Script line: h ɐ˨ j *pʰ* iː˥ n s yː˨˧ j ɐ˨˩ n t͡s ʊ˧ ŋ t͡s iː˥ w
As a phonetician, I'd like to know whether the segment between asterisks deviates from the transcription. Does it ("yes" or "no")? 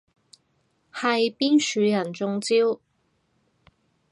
yes